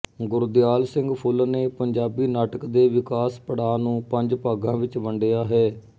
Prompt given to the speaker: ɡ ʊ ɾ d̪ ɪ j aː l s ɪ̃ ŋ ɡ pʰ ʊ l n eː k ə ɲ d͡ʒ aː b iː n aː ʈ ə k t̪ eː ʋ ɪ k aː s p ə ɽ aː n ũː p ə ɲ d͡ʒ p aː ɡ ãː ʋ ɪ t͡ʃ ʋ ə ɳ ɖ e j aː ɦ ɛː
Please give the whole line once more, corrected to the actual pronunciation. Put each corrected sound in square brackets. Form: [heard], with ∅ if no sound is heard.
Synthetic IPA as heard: ɡ ʊ ɾ d̪ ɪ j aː l s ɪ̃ ŋ ɡ pʰ ʊ l n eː [p] ə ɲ d͡ʒ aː b iː n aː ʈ ə k [d̪] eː ʋ ɪ k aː s p ə ɽ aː n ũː p ə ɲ d͡ʒ p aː ɡ ãː ʋ ɪ t͡ʃ ʋ ə ɳ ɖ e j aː ɦ ɛː